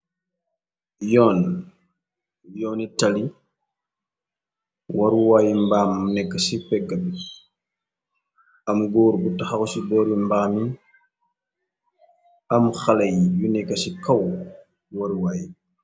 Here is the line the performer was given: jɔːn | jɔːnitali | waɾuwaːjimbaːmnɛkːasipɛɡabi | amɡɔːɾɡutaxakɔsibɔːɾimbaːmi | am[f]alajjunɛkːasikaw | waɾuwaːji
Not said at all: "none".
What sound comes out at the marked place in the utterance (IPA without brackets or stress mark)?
x